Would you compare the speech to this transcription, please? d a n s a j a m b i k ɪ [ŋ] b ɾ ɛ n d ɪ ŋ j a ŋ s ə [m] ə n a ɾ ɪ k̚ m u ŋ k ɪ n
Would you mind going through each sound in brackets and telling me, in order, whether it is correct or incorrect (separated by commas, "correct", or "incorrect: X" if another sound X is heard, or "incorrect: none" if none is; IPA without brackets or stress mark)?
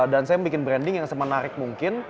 incorrect: n, correct